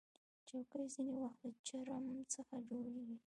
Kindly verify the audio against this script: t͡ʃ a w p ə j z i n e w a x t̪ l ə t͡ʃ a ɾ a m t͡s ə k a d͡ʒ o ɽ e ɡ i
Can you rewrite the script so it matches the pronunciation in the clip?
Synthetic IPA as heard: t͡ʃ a w k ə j z i n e w a x t̪ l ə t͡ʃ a ɾ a m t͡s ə x a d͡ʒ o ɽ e ɡ i

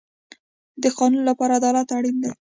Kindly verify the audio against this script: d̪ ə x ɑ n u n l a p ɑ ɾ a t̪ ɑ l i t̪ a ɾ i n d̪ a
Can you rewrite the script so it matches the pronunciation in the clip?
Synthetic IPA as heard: d̪ ə x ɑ n u n l a p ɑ ɾ a d̪ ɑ l a t̪ a ɽ i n d̪ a

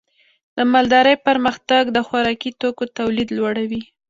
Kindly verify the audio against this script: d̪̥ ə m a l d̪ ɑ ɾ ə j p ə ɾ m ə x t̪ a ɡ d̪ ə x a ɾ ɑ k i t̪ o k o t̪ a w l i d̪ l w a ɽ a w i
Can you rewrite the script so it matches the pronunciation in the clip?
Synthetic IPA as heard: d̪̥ ə m a l d̪ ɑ ɾ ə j p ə ɾ m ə x t̪ a ɡ d̪ ə x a ɾ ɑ k i t̪ o k o t̪ a w l i d̪ l w a ɽ a w i

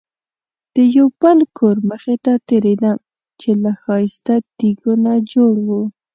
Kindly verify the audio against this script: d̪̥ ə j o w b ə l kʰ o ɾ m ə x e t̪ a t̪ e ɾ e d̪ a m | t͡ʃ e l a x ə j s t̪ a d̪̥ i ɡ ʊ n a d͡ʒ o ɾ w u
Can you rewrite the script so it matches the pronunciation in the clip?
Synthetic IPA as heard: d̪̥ ə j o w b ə l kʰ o ɾ m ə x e t̪ a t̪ e ɾ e d̪ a m | t͡ʃ e l a x ɑ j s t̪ a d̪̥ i ɡ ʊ n a d͡ʒ o ɽ w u

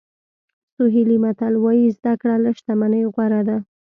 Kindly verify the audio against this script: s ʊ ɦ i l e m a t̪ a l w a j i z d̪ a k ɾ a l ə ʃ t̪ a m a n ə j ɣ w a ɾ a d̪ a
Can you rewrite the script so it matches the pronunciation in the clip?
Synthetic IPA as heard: s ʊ ɦ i l i m a t̪ a l w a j i z d̪ a k ɽ a l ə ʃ t̪ a m a n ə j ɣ w a ɾ a d̪ a

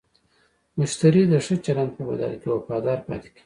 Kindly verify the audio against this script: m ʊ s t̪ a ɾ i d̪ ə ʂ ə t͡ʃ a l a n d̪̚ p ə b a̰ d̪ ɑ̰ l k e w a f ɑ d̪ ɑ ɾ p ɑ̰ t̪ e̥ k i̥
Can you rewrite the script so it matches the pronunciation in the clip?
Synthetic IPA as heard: m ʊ ʃ t̪ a ɾ i d̪ ə ʂ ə t͡ʃ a l a n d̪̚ p ə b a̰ d̪ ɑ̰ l k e w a f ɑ d̪ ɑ ɾ p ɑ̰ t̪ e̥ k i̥

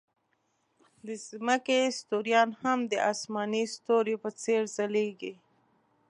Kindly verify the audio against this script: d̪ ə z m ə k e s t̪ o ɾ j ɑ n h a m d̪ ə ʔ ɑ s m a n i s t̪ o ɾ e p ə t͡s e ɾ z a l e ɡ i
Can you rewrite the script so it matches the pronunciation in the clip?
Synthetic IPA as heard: d̪ ə z m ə k e s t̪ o ɾ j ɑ n h a m d̪ ə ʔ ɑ s m ɑ n i s t̪ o ɾ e p ə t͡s e ɾ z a l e ɡ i

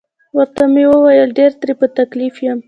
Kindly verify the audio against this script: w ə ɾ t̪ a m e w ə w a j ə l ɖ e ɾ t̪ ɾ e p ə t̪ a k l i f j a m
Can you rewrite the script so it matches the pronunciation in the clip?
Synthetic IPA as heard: w ə ɾ t̪ a m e w ə w a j ə l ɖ e ɾ t̪ ɾ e p ə t̪ a k l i f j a m

